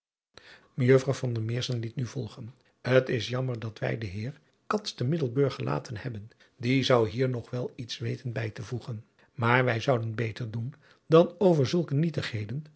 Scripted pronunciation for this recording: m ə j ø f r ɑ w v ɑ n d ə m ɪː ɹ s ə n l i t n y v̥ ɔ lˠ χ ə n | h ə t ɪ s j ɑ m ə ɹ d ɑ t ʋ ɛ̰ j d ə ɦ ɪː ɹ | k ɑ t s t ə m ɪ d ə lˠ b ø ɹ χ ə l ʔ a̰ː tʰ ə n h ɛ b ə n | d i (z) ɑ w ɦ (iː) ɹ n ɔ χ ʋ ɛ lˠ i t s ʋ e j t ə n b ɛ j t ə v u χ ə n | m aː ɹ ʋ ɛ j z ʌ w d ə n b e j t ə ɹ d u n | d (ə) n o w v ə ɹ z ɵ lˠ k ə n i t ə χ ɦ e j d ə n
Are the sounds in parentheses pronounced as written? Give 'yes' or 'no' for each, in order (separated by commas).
yes, yes, no